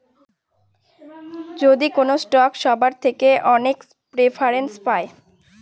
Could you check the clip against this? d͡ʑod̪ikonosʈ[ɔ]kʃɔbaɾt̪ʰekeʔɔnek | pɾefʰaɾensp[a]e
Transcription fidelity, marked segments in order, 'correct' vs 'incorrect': correct, correct

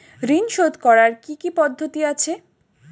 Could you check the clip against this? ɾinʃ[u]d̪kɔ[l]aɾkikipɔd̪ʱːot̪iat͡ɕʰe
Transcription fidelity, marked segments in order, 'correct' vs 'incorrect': incorrect: o, incorrect: ɾ

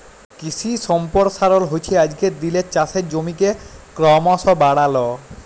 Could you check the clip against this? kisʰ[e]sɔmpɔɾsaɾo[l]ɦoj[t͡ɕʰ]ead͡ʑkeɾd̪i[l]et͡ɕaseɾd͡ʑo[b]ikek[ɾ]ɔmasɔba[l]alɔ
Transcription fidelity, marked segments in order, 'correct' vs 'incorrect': incorrect: i, correct, correct, correct, incorrect: m, correct, incorrect: ɽ

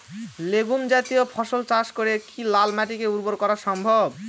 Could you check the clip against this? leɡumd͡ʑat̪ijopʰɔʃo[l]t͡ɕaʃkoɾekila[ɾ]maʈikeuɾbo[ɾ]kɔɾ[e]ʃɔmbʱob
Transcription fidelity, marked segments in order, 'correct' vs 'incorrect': correct, incorrect: l, correct, incorrect: a

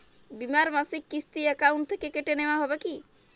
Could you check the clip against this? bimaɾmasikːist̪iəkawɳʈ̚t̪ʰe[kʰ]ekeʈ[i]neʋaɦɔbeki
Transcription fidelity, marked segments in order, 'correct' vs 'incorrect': incorrect: k, incorrect: e

